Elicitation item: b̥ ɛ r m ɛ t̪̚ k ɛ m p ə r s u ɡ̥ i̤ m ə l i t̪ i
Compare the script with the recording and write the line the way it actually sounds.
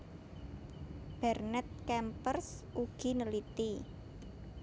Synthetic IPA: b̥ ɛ r n ɛ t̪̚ k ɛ m p ə r s u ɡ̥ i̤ n ə l i t̪ i